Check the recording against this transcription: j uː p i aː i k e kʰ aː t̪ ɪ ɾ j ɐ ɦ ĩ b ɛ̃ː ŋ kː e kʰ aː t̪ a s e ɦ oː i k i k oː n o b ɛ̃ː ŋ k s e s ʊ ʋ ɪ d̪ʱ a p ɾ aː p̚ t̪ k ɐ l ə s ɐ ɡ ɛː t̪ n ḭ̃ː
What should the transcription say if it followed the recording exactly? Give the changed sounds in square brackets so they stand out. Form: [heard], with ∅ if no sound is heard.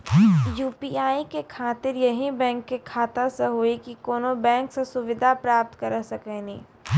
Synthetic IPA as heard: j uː p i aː i k e kʰ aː t̪ ɪ ɾ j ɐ ɦ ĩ b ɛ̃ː ŋ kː e kʰ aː t̪ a s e ɦ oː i k i k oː n o b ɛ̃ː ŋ k s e s ʊ ʋ ɪ d̪ʱ a p ɾ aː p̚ t̪ k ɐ [ɾ] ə s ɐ [k] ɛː [∅] n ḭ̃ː